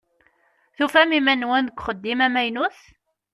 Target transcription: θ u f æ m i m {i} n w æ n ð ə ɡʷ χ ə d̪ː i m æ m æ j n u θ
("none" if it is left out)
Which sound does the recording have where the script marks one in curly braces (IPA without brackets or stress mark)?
æ